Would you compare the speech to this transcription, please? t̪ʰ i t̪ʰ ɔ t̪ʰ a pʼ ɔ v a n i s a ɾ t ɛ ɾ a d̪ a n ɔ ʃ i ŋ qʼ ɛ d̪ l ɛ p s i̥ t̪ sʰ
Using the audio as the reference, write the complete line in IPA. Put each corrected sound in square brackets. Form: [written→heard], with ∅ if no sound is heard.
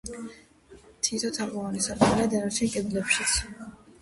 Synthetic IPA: t̪ʰ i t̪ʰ ɔ t̪ʰ a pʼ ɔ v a n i s a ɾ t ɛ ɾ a d̪ [a→ɛ] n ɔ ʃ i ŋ [qʼ→kʼ] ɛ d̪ l ɛ p [s→ʃ] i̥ t̪ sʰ